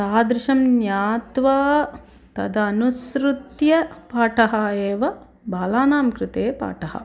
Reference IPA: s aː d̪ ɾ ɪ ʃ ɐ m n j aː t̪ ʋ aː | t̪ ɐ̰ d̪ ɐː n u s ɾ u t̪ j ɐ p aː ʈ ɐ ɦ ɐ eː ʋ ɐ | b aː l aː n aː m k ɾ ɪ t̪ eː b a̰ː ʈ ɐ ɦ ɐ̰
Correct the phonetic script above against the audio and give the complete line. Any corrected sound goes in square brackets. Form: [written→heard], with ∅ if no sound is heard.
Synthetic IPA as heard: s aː d̪ ɾ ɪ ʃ ɐ m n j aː t̪ ʋ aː | t̪ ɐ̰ d̪ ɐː n u s ɾ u t̪ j ɐ p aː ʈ ɐ ɦ ɐ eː ʋ ɐ | b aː l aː n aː m k ɾ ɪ t̪ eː [b→p] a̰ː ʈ ɐ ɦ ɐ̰